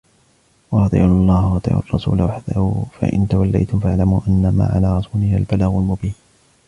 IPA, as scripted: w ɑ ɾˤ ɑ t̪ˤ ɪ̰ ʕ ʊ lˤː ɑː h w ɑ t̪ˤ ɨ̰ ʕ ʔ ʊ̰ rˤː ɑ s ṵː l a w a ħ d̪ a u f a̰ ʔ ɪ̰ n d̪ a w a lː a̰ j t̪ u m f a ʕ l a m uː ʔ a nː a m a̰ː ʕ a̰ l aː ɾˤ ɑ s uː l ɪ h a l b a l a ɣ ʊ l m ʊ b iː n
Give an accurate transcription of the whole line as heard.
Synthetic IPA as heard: w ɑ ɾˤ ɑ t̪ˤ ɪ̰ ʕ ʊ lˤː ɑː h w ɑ t̪ˤ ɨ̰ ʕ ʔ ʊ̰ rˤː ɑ s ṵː l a w a ħ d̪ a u f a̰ ʔ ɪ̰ n t̪ a w a lː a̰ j t̪ ʊ m f a ʕ l a m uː ʔ a nː a m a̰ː ʕ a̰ l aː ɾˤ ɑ s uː l ɪ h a l b a l a ɣ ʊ l m ʊ b iː n